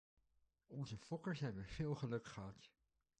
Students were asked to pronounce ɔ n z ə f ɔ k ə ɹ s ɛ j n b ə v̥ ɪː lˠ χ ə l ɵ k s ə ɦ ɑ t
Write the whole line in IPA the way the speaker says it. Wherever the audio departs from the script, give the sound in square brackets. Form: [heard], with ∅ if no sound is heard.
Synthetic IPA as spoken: ɔ n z ə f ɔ k ə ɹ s ɛ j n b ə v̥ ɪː lˠ χ ə l ɵ k [χ] ə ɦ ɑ t